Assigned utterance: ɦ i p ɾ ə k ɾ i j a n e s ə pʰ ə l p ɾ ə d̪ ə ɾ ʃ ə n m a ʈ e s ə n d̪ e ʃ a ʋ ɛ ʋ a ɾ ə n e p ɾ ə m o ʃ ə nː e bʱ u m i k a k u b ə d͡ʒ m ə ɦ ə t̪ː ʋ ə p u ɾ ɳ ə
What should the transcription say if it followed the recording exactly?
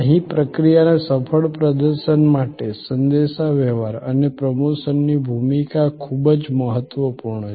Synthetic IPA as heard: ɦ i p ɾ ə k ɾ i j a n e s ə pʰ ə ɭ p ɾ ə d̪ ə ɾ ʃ ə n m a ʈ e s ə n d̪ e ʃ a ʋ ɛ ʋ a ɾ ə n e p ɾ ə m o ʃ ə nː i bʱ u m i k a kʰ u b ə d͡ʒ m ə ɦ ə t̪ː ʋ ə p u ɾ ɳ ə